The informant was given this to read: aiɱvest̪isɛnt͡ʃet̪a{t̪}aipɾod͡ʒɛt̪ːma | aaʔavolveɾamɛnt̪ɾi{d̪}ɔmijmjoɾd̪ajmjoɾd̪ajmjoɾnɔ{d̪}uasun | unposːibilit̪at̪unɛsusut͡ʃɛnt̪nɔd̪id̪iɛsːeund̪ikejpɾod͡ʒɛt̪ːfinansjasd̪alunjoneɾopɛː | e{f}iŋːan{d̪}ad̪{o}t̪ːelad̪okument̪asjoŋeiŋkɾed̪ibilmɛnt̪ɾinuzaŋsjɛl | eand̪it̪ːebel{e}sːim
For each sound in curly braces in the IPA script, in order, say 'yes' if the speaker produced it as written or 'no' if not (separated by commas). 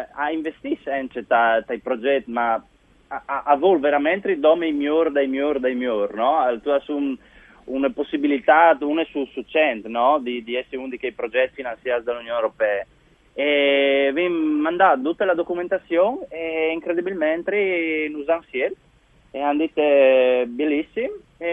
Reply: yes, yes, no, no, yes, no, no